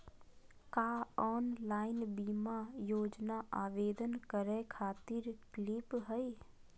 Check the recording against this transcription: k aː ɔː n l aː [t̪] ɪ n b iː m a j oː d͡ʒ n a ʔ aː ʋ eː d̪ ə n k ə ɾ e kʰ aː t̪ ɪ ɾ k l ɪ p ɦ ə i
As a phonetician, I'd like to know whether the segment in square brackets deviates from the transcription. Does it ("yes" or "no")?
yes